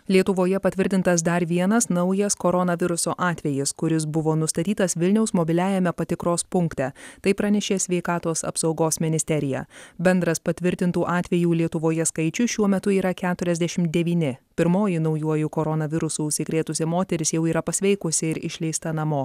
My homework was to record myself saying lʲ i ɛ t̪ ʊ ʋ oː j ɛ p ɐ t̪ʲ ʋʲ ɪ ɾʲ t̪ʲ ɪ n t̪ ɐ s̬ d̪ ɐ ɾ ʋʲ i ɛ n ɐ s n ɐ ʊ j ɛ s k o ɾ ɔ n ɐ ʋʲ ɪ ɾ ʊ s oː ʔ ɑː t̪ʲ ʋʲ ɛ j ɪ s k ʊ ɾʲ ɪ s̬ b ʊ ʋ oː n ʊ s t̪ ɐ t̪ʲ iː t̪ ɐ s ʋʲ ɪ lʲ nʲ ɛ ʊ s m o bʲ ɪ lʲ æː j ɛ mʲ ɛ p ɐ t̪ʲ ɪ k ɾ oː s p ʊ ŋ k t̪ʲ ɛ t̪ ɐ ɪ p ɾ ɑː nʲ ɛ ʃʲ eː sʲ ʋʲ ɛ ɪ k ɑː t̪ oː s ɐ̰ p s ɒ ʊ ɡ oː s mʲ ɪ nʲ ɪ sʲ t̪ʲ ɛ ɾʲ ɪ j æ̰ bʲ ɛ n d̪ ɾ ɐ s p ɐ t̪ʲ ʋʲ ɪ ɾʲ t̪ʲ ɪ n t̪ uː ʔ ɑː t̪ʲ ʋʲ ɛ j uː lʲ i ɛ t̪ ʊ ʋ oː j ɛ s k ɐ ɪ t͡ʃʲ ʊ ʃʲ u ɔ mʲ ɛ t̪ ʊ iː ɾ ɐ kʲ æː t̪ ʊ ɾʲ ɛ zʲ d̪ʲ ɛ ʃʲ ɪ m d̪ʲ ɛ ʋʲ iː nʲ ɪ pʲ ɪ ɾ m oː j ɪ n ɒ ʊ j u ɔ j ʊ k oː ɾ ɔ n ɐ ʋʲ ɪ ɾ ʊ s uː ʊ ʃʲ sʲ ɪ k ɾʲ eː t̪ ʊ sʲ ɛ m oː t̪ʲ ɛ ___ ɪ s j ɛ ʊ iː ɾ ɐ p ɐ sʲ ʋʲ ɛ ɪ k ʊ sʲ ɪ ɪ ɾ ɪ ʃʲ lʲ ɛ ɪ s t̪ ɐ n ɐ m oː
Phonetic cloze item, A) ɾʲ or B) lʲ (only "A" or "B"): A